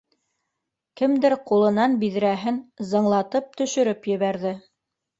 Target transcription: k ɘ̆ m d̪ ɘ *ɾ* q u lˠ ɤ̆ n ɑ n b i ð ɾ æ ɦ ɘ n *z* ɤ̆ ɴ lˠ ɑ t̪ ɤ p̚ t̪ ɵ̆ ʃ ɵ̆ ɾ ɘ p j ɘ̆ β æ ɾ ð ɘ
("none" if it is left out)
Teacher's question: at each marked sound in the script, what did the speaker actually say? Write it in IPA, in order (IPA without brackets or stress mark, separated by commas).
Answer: ɾ, z